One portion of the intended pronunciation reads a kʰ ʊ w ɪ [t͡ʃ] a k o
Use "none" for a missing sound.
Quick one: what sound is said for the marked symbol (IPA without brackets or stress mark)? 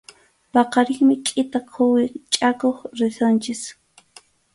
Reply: t͡ʃʼ